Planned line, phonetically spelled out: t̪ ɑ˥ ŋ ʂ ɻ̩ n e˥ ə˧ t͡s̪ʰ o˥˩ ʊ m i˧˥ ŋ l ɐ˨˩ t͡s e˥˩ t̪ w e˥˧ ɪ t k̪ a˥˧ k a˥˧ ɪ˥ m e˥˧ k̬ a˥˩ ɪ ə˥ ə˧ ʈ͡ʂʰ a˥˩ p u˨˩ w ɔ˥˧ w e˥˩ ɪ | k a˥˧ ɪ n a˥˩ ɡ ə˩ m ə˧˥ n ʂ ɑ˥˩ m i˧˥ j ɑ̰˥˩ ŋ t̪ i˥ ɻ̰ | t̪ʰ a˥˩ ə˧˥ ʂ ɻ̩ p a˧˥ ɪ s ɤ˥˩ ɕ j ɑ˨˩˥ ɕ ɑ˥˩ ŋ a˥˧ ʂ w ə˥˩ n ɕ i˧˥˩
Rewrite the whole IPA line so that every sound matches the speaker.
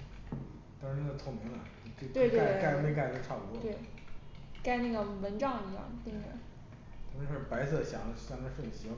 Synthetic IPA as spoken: t̪ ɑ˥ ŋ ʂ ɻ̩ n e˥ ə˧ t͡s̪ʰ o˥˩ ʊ m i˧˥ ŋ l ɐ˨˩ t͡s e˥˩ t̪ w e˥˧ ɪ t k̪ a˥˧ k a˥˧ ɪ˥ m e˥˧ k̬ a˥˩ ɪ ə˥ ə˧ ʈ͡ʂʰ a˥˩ p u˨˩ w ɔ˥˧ w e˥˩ ɪ | k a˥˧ ɪ n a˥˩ ɡ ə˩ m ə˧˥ n ʈ͡ʂ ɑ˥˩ ŋ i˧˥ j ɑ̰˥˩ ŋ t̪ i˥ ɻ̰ | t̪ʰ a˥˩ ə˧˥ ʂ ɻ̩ p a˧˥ ɪ s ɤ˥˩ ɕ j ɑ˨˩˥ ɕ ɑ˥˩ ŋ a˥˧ ʂ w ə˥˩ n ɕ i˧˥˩